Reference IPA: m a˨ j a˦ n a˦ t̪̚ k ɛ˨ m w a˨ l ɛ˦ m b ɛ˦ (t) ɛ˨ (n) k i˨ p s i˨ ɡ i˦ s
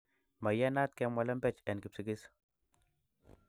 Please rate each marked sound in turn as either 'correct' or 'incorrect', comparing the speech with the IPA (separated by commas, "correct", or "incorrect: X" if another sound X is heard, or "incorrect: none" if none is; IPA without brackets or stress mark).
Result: incorrect: t͡ʃ, correct